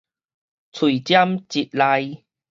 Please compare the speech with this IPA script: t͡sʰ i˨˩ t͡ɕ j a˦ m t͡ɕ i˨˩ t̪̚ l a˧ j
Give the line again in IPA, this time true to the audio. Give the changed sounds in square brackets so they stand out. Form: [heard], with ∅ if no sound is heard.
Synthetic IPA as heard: t͡sʰ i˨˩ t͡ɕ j a˦ m t͡ɕ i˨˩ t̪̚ l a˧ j